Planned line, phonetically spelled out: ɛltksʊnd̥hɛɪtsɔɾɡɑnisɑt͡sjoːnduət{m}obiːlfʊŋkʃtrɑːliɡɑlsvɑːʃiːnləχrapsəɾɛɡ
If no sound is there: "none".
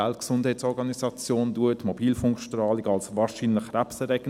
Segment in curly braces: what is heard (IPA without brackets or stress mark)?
m